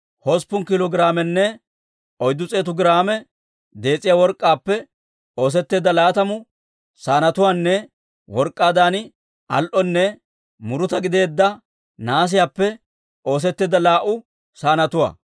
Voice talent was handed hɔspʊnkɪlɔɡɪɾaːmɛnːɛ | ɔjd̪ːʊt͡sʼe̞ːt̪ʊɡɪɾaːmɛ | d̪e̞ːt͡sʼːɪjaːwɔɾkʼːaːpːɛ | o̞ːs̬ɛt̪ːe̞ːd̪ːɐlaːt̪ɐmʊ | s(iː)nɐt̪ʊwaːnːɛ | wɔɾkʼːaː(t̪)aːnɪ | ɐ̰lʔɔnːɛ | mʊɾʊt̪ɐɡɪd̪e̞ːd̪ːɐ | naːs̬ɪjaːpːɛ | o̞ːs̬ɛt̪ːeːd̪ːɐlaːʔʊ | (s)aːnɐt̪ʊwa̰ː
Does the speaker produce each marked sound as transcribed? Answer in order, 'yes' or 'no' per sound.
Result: no, no, yes

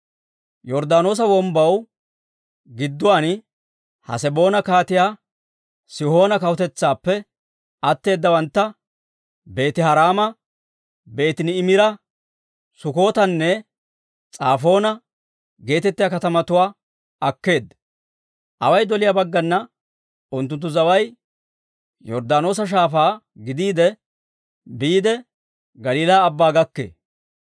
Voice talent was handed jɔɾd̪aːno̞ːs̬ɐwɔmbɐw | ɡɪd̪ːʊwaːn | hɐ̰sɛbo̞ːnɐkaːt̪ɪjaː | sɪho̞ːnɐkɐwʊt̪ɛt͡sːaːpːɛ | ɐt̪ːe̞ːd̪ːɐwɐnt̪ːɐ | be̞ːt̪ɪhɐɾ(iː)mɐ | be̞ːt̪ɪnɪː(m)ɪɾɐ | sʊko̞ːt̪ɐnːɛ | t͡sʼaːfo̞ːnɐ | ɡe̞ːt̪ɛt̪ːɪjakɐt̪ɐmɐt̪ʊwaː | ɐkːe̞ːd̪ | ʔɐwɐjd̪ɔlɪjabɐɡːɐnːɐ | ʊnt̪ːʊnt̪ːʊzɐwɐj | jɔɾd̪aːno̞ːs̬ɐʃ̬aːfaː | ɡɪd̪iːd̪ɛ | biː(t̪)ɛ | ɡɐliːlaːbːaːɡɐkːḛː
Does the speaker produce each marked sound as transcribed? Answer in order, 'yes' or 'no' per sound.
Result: no, yes, no

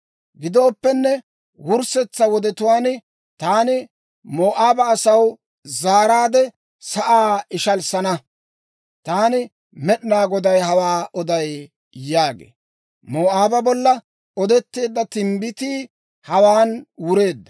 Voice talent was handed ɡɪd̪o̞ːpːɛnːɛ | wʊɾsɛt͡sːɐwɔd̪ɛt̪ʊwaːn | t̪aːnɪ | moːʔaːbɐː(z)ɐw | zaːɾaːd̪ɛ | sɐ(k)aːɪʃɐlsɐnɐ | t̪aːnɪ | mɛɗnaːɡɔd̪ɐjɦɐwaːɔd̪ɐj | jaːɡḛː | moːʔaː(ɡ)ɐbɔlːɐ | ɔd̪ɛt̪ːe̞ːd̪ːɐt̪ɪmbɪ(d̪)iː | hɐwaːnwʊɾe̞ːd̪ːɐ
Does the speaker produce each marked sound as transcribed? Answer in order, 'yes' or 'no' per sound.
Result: no, no, no, no

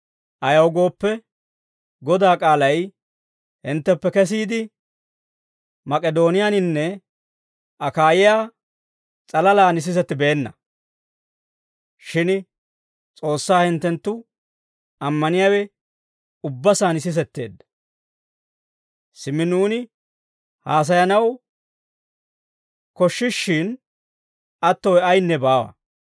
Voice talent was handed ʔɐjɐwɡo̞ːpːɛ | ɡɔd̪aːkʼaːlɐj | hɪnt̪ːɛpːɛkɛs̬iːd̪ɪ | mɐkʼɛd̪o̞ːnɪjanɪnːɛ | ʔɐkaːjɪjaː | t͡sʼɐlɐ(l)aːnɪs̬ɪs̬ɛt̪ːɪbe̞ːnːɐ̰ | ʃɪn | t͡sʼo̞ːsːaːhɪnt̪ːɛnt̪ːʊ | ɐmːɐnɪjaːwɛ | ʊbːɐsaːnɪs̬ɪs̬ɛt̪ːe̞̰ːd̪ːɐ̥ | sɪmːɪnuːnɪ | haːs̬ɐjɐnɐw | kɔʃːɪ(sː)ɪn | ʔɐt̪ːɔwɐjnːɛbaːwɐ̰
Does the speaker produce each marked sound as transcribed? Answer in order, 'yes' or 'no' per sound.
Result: yes, no

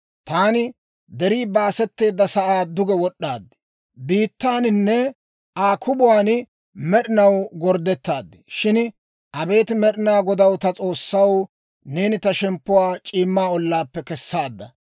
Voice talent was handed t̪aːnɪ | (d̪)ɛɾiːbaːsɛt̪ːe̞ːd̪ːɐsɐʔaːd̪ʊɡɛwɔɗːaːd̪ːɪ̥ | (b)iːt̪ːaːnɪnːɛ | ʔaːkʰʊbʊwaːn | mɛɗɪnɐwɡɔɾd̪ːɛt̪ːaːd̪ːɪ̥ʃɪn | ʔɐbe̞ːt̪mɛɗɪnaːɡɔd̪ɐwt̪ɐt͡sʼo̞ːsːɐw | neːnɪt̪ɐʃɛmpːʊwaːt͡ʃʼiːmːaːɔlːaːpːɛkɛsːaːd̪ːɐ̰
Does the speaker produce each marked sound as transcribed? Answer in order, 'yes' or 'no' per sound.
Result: yes, yes

